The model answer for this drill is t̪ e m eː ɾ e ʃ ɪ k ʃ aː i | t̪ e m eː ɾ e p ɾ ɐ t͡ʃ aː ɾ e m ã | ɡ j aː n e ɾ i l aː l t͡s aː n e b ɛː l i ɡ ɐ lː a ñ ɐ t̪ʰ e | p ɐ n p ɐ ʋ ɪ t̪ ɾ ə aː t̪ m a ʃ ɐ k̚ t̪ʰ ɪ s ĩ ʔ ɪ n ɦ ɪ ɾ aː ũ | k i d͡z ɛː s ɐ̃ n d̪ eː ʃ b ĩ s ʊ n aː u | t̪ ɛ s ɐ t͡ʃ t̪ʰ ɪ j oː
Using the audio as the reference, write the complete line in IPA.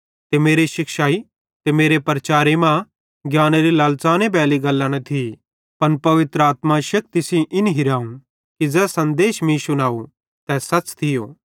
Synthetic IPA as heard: t̪ e m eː ɾ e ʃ ɪ k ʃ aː i | t̪ e m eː ɾ e p ɾ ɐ t͡ʃ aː ɾ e m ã | ɡ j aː n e ɾ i l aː l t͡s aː n e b ɛː l i ɡ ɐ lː a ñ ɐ t̪ʰ i | p ɐ n p ɐ ʋ ɪ t̪ ɾ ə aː t̪ m a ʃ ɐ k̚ t̪ ɪ s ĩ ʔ ɪ n ɦ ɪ ɾ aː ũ | k i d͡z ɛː s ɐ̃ n d̪ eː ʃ m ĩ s ʊ n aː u | t̪ ɛ s ɐ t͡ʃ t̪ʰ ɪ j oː